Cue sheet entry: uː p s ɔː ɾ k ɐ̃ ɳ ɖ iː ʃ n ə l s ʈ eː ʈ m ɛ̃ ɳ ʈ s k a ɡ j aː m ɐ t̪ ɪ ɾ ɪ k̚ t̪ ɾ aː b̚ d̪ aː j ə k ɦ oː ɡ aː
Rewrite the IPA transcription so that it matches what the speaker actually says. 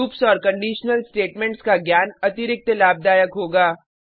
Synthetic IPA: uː p s ɔː ɾ k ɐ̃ ɳ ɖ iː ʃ n ə l s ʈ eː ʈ m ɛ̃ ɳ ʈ s k a ɡ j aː n ɐ t̪ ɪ ɾ ɪ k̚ t̪ l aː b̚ d̪ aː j ə k ɦ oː ɡ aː